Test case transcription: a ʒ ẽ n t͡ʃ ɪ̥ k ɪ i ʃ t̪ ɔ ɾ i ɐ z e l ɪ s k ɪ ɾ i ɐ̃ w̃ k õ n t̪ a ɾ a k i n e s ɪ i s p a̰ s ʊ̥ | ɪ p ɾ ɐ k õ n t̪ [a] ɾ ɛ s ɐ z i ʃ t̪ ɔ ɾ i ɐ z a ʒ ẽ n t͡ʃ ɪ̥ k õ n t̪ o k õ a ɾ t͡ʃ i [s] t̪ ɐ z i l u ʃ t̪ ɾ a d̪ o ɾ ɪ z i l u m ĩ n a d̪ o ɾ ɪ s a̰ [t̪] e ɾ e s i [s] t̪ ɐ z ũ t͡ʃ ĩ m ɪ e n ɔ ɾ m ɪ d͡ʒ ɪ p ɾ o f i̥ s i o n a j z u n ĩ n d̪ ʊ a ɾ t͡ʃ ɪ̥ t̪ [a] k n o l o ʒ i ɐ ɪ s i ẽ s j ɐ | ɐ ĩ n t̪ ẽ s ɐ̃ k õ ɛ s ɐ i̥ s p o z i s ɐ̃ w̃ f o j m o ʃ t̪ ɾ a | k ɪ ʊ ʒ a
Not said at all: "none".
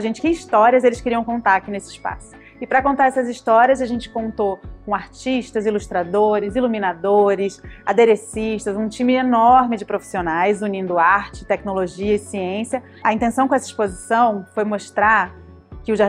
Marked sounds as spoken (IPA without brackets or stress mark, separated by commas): a, ʃ, d̪, ʃ, ɛ